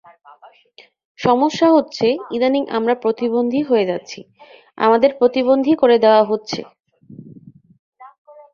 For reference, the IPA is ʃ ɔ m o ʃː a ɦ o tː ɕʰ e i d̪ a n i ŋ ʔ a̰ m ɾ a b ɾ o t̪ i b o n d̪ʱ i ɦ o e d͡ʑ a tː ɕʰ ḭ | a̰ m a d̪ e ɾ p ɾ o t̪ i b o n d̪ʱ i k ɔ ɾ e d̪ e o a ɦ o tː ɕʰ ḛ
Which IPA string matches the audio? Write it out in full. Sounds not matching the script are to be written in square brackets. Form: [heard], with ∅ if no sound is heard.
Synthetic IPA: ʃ ɔ m o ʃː a ɦ o tː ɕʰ e i d̪ a n i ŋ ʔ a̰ m ɾ a [p] ɾ o t̪ i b o n d̪ʱ i ɦ o e d͡ʑ a tː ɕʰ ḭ | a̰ m a d̪ e ɾ p ɾ o t̪ i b o n d̪ʱ i k [o] ɾ e d̪ e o a ɦ o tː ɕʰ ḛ